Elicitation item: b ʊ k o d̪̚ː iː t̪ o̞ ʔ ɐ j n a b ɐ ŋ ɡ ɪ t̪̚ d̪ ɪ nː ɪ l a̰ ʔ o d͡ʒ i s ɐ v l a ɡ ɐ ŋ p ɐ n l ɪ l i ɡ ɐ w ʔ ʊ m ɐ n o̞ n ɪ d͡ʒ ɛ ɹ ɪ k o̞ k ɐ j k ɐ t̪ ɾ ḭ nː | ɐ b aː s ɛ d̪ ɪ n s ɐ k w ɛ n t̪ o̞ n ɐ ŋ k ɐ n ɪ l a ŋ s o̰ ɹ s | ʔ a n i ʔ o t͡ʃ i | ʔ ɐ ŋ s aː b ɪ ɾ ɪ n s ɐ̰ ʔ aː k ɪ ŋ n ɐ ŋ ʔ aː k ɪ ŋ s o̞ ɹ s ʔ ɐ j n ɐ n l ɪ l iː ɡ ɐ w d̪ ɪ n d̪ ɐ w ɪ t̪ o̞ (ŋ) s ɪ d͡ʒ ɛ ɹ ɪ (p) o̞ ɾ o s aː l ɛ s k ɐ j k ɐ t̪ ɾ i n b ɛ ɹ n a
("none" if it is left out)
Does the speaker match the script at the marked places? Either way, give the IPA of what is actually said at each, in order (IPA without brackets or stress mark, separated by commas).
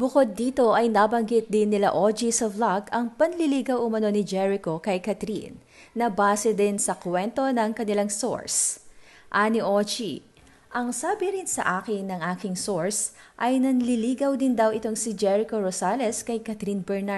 ŋ, k